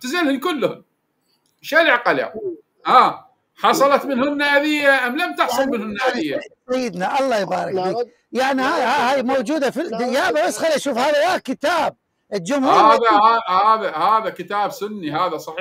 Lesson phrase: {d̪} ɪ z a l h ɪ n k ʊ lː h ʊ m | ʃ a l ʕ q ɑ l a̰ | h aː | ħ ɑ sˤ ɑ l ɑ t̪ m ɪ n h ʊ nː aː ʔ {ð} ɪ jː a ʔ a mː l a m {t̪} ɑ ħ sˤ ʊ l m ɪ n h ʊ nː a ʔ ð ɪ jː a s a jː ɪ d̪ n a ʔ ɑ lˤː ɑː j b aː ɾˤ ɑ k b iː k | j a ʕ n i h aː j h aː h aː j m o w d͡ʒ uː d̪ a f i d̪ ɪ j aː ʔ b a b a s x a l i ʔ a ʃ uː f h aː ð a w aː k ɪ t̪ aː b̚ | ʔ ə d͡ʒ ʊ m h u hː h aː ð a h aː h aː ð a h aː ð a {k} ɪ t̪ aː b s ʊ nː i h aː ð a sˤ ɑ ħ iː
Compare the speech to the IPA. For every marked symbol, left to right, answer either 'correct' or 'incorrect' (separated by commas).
incorrect, correct, correct, correct